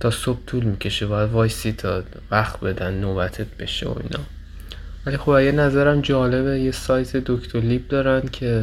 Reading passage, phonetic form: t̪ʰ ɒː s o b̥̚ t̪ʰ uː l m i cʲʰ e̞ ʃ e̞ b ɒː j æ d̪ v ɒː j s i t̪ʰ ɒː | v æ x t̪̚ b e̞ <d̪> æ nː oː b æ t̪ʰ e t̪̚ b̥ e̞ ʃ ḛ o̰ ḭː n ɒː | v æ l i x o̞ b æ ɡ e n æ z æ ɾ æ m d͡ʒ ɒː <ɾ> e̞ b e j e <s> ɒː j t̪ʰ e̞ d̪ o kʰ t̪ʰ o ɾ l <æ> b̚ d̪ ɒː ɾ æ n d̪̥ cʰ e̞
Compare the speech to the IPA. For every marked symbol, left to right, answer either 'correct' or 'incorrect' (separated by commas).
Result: correct, incorrect, correct, incorrect